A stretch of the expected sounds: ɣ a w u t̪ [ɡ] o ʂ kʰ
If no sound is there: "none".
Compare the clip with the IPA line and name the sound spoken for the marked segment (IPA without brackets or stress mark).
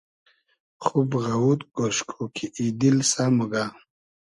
ɡ